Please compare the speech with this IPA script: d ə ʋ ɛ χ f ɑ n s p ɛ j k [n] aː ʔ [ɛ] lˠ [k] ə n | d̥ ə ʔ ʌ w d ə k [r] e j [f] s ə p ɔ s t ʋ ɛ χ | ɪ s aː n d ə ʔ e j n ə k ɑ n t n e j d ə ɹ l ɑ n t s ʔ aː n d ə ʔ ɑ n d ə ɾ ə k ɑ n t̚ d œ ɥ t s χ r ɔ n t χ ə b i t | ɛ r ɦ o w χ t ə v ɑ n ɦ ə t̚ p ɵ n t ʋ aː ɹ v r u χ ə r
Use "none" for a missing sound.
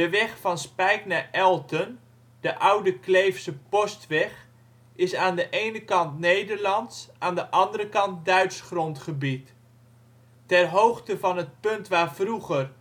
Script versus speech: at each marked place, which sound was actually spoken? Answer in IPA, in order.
n, ɛ, t, l, f

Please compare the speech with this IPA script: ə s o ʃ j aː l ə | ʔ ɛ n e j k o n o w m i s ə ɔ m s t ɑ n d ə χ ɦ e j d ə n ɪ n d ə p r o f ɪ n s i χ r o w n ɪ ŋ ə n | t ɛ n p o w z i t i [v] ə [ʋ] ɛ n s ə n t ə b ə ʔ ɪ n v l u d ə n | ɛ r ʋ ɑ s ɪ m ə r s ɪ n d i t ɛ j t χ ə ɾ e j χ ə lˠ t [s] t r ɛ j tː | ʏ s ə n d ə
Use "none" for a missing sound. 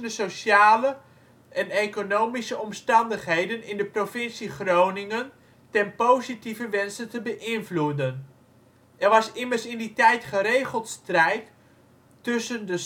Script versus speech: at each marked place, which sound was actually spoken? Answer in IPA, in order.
v, ʋ, s

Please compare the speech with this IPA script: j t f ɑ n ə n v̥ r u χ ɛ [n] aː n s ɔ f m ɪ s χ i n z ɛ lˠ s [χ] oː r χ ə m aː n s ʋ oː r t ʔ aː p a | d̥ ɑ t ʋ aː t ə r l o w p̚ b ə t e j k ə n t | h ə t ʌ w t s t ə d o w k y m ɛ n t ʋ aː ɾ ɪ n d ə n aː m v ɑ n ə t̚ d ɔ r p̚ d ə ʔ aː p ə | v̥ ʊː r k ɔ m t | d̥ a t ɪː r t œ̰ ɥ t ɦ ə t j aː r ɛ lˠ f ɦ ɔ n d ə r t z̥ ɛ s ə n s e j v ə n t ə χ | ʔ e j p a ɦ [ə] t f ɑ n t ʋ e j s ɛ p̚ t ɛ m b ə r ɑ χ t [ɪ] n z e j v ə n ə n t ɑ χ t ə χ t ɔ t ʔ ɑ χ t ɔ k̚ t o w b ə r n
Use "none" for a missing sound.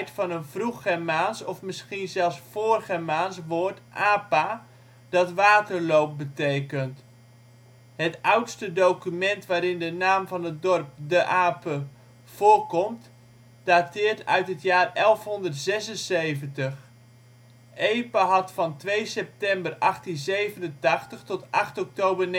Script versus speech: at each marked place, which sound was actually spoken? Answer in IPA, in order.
m, f, ɑ, i

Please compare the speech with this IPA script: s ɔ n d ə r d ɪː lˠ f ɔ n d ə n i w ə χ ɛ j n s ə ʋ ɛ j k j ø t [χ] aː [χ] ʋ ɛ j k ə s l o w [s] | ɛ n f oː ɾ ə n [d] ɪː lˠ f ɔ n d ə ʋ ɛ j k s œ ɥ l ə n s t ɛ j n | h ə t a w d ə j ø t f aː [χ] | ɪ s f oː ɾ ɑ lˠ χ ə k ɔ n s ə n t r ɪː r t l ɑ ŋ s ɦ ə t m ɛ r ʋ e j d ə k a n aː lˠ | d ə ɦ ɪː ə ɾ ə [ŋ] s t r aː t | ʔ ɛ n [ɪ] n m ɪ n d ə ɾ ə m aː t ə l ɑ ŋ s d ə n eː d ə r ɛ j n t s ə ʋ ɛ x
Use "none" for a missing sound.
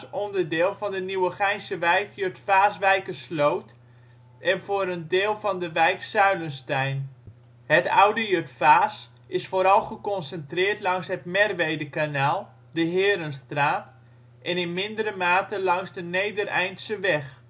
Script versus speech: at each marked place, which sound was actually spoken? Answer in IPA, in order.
f, s, t, d, s, n, ɪ

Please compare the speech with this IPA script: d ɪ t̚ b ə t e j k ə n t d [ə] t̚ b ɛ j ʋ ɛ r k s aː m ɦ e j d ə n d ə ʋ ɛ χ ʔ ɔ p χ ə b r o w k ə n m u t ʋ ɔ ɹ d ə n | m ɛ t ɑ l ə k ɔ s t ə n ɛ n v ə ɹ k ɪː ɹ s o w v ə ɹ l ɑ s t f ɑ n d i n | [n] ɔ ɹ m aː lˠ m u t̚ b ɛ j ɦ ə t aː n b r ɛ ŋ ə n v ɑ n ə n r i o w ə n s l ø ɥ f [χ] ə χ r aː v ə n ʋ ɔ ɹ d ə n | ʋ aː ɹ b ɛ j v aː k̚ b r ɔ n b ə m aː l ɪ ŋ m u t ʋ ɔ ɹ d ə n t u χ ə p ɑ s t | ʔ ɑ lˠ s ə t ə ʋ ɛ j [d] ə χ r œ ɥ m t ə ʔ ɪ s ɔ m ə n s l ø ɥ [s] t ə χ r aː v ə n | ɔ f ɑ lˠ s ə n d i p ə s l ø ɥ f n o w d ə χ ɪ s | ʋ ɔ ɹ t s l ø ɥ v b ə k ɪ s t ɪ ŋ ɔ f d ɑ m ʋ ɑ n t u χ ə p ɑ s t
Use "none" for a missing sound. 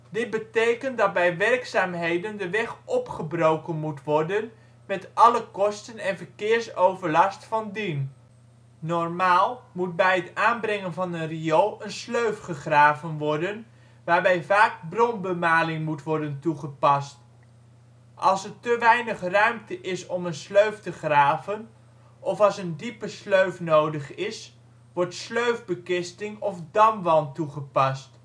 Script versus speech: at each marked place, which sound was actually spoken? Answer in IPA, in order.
ɑ, n, χ, n, f

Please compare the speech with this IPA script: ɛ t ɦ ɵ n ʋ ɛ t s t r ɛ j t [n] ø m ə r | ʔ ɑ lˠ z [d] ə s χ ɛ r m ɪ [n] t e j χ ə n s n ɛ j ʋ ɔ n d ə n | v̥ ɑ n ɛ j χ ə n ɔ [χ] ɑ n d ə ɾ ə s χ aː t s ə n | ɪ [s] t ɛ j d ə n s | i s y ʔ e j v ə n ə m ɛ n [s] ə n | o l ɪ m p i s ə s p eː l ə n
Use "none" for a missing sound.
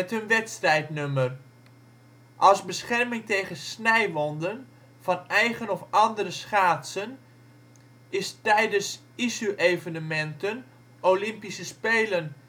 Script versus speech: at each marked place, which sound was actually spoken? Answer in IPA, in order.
n, b, ŋ, f, s, t

